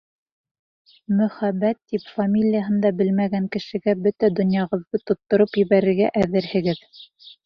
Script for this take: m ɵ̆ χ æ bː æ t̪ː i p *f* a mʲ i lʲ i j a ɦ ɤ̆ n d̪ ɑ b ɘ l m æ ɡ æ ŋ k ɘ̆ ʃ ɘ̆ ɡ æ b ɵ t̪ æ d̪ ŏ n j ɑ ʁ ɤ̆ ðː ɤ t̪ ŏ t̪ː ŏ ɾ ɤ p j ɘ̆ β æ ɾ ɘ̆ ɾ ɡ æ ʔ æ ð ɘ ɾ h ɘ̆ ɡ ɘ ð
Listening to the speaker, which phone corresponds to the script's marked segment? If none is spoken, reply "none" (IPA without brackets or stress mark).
f